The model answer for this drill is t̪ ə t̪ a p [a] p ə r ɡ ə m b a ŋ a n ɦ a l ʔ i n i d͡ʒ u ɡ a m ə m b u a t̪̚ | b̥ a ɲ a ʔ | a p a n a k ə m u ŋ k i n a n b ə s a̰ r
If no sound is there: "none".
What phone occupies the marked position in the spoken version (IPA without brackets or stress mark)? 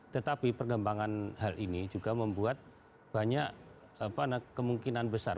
i